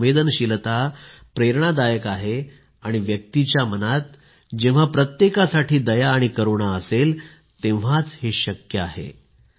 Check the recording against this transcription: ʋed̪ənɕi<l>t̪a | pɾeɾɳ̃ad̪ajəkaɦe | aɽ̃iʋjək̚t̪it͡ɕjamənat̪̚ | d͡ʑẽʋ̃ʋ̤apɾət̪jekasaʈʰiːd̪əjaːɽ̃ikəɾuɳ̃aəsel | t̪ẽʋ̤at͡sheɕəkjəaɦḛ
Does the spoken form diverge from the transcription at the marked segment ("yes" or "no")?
no